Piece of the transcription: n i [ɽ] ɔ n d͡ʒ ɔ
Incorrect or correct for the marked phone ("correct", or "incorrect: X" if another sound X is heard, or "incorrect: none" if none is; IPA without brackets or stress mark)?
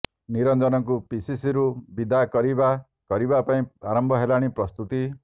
incorrect: ɾ